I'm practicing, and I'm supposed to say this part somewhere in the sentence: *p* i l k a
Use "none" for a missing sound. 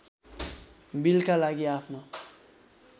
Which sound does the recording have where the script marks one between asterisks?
b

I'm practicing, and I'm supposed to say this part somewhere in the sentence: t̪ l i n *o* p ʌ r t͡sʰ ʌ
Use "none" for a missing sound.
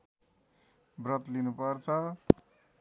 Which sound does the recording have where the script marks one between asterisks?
u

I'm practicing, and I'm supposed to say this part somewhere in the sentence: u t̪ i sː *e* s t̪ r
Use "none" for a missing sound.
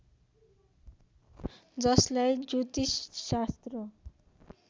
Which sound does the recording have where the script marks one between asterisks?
a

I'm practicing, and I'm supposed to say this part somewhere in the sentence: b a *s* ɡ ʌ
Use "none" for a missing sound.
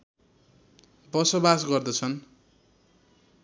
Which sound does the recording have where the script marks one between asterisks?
s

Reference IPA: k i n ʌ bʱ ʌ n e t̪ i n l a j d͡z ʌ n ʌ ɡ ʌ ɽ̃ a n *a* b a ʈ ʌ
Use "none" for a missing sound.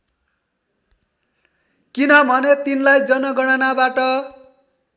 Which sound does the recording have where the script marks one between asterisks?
a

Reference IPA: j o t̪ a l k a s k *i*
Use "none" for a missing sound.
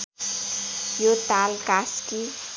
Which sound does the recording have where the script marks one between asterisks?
i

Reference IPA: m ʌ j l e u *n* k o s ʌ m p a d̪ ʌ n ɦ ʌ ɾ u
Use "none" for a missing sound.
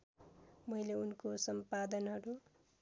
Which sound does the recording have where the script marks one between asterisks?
n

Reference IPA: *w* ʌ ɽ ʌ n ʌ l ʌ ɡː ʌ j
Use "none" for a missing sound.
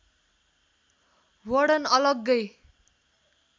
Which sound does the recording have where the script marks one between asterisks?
w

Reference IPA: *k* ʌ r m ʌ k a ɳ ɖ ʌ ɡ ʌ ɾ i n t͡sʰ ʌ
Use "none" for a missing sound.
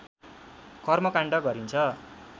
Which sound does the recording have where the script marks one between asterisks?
k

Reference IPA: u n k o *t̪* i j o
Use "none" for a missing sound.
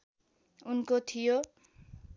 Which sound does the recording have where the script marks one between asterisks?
t̪ʰ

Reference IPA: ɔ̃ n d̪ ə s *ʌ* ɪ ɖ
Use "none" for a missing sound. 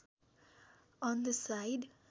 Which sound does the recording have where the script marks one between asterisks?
a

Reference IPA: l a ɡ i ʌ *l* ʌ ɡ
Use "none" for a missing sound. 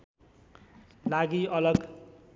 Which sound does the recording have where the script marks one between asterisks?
l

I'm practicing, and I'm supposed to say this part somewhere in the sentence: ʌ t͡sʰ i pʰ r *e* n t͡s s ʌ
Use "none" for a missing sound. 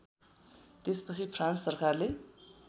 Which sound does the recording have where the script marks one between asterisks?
a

